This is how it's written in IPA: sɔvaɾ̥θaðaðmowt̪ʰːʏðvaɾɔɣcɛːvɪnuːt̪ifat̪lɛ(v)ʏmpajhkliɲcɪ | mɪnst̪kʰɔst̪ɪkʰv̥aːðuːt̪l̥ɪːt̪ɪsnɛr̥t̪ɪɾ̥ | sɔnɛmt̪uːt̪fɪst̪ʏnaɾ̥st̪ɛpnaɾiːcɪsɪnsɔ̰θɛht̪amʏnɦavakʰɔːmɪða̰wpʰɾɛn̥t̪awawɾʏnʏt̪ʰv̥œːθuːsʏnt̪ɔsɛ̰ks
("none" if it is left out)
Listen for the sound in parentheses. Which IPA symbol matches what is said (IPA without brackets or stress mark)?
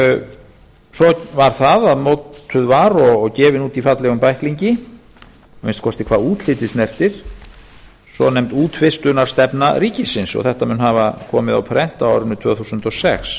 ɣ